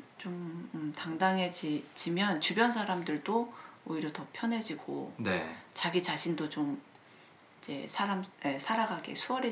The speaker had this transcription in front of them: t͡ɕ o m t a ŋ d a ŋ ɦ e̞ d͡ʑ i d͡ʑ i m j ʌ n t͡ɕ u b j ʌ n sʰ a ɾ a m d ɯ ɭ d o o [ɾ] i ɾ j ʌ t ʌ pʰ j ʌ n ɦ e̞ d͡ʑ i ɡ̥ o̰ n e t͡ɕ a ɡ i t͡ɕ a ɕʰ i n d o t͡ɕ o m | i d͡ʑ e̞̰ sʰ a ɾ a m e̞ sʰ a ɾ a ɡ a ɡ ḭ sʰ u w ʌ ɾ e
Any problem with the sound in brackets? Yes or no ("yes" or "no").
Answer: yes